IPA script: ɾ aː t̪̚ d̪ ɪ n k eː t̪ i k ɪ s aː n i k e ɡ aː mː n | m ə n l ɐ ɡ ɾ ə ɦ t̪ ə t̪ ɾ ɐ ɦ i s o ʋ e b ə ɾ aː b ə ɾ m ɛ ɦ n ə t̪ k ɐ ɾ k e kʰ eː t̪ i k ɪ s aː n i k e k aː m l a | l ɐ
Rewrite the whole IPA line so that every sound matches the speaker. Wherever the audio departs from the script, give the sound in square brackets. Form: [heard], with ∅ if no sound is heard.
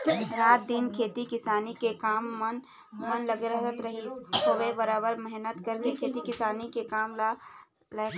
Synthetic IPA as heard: ɾ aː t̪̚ d̪ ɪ n [kʰ] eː t̪ i k ɪ s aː n i k e [k] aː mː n | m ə n l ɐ ɡ ɾ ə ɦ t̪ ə t̪ ɾ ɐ ɦ i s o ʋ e b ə ɾ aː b ə ɾ m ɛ ɦ n ə t̪ k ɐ ɾ k e kʰ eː t̪ i k ɪ s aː n i k e k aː m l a | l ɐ